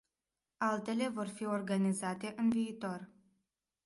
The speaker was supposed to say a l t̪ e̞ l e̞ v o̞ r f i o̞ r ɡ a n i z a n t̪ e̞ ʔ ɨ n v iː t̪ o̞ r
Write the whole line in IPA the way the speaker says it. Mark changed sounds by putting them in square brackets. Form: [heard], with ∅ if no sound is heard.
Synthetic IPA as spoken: a l t̪ e̞ l e̞ v o̞ r f i o̞ r ɡ a n i z a [∅] t̪ e̞ ʔ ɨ n v iː t̪ o̞ r

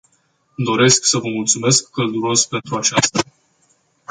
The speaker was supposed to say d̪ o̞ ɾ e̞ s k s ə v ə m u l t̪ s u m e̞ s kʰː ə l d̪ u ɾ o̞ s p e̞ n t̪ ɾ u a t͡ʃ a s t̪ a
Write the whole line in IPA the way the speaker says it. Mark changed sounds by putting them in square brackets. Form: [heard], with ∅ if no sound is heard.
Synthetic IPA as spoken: d̪ o̞ ɾ e̞ s k s ə v ə m u l t̪ s u m e̞ s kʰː ə l d̪ u ɾ o̞ s p e̞ n t̪ ɾ u a t͡ʃ a s t̪ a

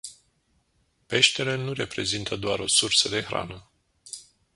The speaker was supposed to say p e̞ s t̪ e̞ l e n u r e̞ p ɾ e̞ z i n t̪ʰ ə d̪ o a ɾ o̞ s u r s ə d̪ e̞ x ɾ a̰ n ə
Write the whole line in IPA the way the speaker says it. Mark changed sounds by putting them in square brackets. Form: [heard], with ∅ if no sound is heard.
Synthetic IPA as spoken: p e̞ [ʃ] t̪ e̞ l e n u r e̞ p ɾ e̞ z i n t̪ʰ ə d̪ o a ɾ o̞ s u r s ə d̪ e̞ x ɾ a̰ n ə

